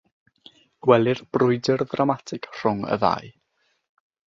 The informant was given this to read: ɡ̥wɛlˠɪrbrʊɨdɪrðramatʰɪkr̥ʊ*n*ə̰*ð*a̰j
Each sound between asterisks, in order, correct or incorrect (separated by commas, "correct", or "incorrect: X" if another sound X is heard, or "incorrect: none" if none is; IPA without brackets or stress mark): incorrect: ŋ, correct